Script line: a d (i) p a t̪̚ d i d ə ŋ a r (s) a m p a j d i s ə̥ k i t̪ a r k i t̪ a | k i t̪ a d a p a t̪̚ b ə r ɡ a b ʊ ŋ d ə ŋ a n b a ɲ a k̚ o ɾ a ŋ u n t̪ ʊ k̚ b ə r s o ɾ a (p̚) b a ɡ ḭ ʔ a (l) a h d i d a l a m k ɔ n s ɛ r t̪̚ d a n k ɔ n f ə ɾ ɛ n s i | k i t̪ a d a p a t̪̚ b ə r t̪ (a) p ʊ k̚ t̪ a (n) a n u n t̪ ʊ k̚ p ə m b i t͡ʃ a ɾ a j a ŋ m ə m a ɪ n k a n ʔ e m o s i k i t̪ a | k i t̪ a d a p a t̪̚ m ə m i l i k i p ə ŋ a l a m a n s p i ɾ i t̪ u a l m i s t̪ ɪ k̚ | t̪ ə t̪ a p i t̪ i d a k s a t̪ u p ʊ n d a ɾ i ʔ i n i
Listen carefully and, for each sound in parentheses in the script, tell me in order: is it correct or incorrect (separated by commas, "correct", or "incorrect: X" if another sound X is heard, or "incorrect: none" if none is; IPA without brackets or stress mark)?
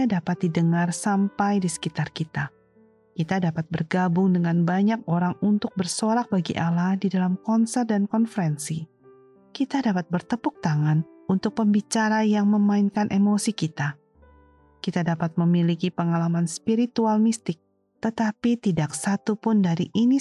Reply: incorrect: a, correct, incorrect: k̚, correct, incorrect: ə, incorrect: ŋ